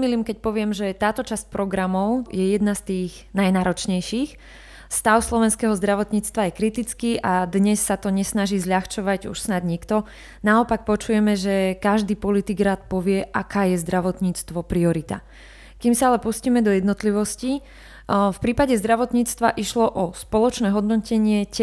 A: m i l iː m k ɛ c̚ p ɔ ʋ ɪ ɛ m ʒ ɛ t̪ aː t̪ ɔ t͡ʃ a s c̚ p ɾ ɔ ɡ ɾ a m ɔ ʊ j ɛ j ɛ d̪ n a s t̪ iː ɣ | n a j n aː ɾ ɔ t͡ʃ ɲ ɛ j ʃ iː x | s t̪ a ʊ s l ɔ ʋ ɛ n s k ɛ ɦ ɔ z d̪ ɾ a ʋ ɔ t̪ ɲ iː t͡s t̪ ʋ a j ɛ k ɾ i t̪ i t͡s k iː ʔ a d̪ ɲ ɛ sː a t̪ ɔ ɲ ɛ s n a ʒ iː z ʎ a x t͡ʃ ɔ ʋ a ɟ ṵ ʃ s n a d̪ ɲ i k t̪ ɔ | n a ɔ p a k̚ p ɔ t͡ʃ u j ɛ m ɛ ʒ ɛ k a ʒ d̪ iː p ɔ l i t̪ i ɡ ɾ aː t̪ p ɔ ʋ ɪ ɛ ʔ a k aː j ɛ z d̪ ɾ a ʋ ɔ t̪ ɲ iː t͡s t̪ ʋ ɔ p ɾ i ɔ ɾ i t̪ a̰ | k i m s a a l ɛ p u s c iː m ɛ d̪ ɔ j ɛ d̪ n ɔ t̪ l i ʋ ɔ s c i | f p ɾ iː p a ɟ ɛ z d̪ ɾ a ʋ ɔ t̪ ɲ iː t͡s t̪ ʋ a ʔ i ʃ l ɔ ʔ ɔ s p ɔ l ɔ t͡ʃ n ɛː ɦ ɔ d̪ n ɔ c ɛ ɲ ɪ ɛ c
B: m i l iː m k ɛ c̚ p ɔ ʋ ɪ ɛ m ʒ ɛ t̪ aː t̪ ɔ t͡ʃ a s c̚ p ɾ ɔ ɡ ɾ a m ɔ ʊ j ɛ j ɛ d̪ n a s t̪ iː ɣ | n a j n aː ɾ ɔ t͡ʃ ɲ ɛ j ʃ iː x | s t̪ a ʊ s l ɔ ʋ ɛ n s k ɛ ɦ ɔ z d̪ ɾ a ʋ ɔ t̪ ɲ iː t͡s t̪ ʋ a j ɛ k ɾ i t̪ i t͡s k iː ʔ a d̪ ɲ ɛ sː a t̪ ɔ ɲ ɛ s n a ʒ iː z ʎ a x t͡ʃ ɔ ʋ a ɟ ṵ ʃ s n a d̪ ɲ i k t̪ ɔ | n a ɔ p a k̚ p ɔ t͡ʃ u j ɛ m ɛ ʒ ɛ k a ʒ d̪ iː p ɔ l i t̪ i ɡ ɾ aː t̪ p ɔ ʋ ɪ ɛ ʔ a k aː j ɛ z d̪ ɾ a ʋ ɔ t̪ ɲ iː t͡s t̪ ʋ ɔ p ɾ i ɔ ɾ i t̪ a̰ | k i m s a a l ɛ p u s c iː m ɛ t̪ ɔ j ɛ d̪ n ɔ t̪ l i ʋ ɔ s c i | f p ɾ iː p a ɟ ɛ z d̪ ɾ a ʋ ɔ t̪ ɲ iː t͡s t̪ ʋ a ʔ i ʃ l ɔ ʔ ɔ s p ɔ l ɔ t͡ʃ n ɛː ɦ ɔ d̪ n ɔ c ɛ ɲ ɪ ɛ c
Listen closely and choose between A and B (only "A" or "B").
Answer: A